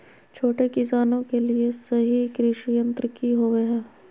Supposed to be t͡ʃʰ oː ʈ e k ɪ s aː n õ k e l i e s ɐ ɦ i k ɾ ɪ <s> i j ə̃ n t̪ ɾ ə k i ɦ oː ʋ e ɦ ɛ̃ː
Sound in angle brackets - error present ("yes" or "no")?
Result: yes